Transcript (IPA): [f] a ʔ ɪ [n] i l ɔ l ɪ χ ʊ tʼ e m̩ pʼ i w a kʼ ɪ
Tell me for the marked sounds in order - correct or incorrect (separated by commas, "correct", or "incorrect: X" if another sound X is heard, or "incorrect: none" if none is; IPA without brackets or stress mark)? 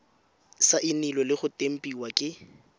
incorrect: s, correct